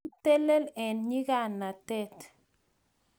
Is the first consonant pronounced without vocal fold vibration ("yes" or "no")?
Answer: yes